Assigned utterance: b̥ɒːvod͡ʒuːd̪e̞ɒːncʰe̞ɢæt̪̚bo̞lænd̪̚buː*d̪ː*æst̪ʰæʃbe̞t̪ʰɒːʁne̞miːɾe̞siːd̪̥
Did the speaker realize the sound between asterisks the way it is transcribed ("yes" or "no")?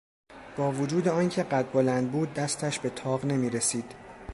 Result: yes